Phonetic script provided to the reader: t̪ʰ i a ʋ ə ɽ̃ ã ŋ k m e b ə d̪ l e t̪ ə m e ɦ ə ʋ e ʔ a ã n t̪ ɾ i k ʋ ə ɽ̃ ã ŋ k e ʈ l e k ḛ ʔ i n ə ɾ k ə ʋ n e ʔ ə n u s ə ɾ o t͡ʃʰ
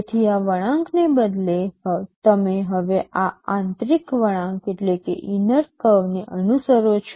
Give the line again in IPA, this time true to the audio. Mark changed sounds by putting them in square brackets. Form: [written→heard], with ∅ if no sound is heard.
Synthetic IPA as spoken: t̪ʰ i a ʋ ə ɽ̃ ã ŋ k [m→n] e b ə d̪ l e t̪ ə m e ɦ ə ʋ e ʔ a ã n t̪ ɾ i k ʋ ə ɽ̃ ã ŋ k e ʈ l e k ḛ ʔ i n ə ɾ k ə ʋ n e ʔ ə n u s ə ɾ o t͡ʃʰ